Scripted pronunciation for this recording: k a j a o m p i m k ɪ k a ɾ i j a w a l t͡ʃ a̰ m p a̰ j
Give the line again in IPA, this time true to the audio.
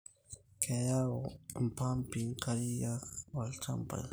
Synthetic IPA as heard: k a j a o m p a m p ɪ k a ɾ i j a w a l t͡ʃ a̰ m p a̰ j